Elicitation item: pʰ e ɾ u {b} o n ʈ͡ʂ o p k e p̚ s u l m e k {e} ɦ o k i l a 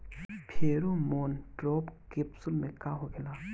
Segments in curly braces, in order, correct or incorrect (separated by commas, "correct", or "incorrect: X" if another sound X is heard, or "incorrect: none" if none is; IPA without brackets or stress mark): incorrect: m, incorrect: a